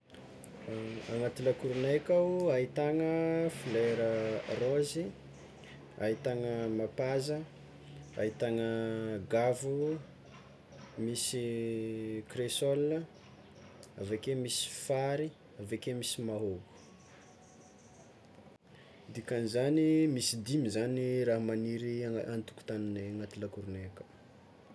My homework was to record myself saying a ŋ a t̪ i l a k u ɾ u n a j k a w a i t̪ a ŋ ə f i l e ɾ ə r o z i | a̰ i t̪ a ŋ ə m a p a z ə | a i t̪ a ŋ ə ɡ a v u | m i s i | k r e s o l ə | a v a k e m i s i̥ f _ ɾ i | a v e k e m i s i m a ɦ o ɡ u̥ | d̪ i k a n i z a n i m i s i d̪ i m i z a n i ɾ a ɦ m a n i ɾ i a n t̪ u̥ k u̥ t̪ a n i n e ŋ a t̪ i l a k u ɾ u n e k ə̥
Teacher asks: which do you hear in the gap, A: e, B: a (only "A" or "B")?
B